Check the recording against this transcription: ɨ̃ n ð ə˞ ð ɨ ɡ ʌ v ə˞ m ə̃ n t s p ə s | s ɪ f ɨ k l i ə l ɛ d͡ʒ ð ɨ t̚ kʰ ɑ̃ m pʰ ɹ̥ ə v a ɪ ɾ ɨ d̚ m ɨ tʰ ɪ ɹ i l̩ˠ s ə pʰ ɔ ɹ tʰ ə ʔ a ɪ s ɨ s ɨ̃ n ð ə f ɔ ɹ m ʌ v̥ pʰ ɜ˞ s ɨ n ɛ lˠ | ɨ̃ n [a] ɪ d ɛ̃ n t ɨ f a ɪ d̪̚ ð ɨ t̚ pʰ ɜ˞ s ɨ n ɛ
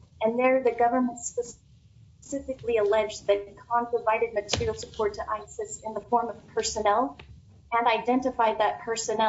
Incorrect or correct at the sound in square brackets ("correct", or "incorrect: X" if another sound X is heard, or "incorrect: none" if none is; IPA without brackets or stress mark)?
correct